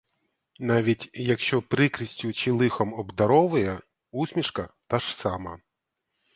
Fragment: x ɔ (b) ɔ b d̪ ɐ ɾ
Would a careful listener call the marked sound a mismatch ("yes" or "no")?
yes